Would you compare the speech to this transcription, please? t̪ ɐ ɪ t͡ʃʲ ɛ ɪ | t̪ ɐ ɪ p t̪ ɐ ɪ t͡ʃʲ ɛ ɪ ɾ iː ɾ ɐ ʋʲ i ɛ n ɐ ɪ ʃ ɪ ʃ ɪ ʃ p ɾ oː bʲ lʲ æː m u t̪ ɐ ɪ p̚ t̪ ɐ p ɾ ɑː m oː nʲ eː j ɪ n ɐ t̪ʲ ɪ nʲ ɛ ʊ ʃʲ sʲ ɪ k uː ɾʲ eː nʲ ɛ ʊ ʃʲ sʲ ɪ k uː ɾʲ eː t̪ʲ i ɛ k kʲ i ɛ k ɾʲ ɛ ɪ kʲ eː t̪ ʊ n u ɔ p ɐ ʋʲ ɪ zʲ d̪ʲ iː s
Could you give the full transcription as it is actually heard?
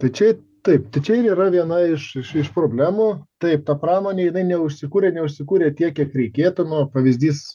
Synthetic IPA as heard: t̪ ɐ ɪ t͡ʃʲ ɛ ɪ | t̪ ɐ ɪ p t̪ ɐ ɪ t͡ʃʲ ɛ ɪ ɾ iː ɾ ɐ ʋʲ i ɛ n ɐ ɪ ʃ ɪ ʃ ɪ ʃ p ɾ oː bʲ lʲ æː m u t̪ ɐ ɪ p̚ t̪ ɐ p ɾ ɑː m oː nʲ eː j ɪ n ɐ ɪ nʲ ɛ ʊ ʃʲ sʲ ɪ k uː ɾʲ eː nʲ ɛ ʊ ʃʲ sʲ ɪ k uː ɾʲ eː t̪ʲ i ɛ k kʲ i ɛ k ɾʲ ɛ ɪ kʲ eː t̪ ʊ n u ɔ p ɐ ʋʲ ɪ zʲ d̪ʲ iː s

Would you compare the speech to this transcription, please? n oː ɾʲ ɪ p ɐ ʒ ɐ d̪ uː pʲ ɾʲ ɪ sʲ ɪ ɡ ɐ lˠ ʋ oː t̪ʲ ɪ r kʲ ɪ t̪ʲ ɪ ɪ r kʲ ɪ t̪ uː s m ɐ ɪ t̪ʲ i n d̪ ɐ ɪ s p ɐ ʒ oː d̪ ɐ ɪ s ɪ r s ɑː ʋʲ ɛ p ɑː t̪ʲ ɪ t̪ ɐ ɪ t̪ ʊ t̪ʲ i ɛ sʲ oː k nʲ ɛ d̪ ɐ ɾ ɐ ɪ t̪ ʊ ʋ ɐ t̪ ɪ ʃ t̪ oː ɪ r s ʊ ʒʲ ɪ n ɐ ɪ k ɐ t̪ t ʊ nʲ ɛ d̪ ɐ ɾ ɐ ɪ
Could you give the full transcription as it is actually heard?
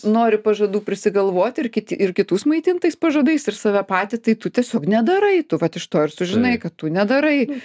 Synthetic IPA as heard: n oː ɾʲ ɪ p ɐ ʒ ɐ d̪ uː pʲ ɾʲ ɪ sʲ ɪ ɡ ɐ lˠ ʋ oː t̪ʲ ɪ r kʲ ɪ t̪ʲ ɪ ɪ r kʲ ɪ t̪ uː s m ɐ ɪ t̪ʲ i n t̪ ɐ ɪ s p ɐ ʒ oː d̪ ɐ ɪ s ɪ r s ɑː ʋʲ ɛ p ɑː t̪ʲ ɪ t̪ ɐ ɪ t̪ ʊ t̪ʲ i ɛ sʲ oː k nʲ ɛ d̪ ɐ ɾ ɐ ɪ t̪ ʊ ʋ ɐ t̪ ɪ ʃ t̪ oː ɪ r s ʊ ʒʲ ɪ n ɐ ɪ k ɐ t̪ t ʊ nʲ ɛ d̪ ɐ ɾ ɐ ɪ

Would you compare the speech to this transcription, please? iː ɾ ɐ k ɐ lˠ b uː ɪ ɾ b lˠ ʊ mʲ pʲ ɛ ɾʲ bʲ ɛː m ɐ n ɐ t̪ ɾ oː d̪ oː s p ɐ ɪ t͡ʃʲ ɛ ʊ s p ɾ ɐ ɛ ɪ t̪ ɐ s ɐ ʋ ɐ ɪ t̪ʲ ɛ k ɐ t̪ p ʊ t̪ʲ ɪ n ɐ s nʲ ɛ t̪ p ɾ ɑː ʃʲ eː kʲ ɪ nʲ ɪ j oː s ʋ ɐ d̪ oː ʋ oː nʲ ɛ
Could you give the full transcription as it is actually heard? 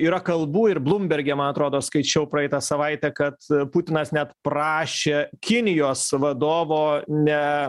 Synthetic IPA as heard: iː ɾ ɐ k ɐ lˠ b uː ɪ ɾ b lˠ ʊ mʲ bʲ ɛ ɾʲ ɡʲ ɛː m ɐ n ɐ t̪ ɾ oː d̪ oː s k ɐ ɪ t͡ʃʲ ɛ ʊ p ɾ ɐ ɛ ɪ t̪ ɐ s ɐ ʋ ɐ ɪ t̪ʲ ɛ k ɐ t̪ p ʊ t̪ʲ ɪ n ɐ s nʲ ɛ t̪ p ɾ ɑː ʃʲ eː kʲ ɪ nʲ ɪ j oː s ʋ ɐ d̪ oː ʋ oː nʲ ɛ

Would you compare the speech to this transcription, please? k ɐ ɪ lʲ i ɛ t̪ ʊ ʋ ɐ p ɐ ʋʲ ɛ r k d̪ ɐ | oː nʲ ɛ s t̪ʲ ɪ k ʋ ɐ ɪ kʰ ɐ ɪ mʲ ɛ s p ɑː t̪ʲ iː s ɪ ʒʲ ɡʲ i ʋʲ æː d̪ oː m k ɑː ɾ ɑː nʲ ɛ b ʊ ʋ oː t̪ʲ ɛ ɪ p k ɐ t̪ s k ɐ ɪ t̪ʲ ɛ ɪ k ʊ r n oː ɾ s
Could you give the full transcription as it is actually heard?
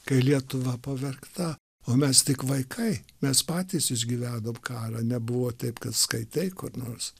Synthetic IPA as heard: k ɐ ɪ lʲ i ɛ t̪ ʊ ʋ ɐ p ɐ ʋʲ ɛ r k t̪ ɐ | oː mʲ ɛ s t̪ʲ ɪ k ʋ ɐ ɪ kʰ ɐ ɪ mʲ ɛ s p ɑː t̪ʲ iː s ɪ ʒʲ ɡʲ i ʋʲ æː d̪ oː m k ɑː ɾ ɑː nʲ ɛ b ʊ ʋ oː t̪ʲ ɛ ɪ p k ɐ t̪ s k ɐ ɪ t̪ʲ ɛ ɪ k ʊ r n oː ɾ s

